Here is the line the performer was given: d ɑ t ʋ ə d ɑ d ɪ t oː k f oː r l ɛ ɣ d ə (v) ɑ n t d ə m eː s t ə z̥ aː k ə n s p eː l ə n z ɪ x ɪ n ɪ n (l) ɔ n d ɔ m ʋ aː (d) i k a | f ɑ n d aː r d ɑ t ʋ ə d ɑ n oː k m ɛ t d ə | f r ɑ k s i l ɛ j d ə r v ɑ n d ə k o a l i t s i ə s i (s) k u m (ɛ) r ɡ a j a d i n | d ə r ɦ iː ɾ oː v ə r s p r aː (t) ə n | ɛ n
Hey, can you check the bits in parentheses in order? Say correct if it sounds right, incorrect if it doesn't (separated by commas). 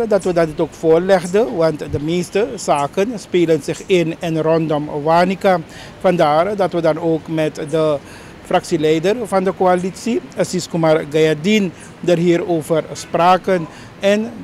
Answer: incorrect, incorrect, incorrect, correct, incorrect, incorrect